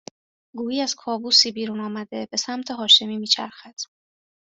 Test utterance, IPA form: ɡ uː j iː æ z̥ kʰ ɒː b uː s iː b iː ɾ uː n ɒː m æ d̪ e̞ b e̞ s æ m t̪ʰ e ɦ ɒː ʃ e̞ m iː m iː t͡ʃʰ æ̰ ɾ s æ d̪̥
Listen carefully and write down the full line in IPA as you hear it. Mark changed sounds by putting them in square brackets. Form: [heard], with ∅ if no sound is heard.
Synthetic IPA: ɡ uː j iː æ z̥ kʰ ɒː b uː s iː b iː ɾ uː n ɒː m æ d̪ e̞ b e̞ s æ m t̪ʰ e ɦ ɒː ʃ e̞ m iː m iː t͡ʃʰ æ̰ ɾ [x] æ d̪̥